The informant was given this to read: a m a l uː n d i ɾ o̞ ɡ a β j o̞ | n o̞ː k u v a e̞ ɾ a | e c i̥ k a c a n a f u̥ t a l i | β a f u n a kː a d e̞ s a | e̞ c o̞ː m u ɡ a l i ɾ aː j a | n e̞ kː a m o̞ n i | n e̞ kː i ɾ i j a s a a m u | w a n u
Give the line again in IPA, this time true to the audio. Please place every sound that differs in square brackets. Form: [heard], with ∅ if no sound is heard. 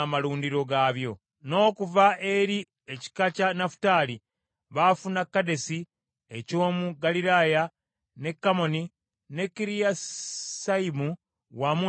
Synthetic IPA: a m a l uː n d i ɾ o̞ ɡ a β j o̞ | n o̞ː k u v a e̞ ɾ [i] | e c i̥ k a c a n a f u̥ t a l i | β a f u n a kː a d e̞ s [i] | e̞ c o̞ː m u ɡ a l i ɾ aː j a | n e̞ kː a m o̞ n i | n e̞ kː i ɾ i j a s a [i] m u | w a [m] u